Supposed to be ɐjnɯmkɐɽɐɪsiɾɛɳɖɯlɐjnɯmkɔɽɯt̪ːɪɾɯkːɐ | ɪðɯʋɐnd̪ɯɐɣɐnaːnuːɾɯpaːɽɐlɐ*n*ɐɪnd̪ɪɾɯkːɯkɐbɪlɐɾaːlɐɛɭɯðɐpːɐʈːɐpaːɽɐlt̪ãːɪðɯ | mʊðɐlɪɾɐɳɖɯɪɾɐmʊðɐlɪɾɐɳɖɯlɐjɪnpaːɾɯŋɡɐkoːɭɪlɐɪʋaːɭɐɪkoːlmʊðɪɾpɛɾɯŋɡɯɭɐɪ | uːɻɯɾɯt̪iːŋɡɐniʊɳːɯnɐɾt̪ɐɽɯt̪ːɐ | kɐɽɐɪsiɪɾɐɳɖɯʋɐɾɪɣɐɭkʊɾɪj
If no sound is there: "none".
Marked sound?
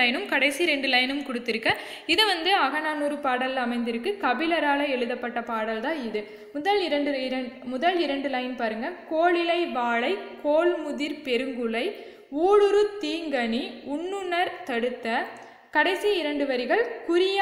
m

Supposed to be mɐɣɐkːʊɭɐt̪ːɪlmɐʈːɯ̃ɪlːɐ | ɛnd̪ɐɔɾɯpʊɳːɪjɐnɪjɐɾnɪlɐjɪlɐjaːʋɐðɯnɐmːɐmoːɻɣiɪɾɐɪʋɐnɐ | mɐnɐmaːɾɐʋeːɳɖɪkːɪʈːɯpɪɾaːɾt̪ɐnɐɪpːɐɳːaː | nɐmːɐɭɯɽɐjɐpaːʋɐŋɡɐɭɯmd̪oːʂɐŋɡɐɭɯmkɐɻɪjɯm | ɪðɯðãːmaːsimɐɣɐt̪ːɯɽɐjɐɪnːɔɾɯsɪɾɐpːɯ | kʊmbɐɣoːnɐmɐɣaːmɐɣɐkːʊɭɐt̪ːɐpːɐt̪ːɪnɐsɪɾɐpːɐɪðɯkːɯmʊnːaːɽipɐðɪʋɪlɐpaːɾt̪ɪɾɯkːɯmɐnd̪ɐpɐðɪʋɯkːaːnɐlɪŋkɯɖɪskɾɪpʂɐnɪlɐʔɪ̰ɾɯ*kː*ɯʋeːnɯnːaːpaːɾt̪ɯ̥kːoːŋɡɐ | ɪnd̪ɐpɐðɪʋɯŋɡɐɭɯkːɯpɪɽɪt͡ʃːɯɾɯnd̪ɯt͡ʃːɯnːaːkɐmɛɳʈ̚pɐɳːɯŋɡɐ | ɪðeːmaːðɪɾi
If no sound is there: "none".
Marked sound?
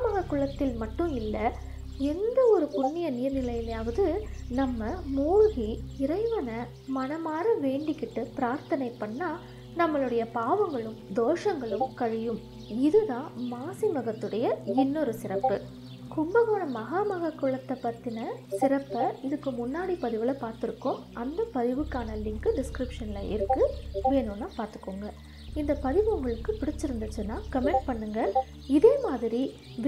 kː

